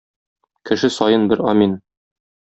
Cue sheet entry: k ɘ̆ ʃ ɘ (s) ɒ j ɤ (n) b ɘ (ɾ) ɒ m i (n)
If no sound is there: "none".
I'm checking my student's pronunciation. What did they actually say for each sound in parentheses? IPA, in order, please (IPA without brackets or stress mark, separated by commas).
s, n, ɾ, n